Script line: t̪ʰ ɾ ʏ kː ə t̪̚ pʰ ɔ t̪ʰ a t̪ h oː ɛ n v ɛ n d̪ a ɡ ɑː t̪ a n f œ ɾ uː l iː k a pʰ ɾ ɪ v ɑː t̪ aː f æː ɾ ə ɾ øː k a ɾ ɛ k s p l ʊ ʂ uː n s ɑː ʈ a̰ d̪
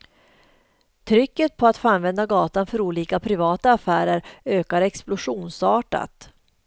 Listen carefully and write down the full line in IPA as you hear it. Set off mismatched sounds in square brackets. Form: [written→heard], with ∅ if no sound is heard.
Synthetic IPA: t̪ʰ ɾ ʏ kː ə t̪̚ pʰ ɔ [t̪ʰ→∅] a t̪ [h→f] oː [ɛ→a] n v ɛ n d̪ a ɡ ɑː t̪ a n f œ ɾ uː l iː k a pʰ ɾ ɪ v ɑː t̪ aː f æː ɾ ə ɾ øː k a ɾ ɛ k s p l ʊ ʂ uː n s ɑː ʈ a̰ [d̪→t̪]